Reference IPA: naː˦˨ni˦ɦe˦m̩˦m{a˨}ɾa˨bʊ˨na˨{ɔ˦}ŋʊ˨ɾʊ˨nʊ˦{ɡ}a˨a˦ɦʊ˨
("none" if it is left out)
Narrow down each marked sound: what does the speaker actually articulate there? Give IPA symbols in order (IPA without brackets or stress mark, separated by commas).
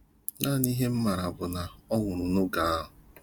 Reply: a˨, ɔ˦, ɡ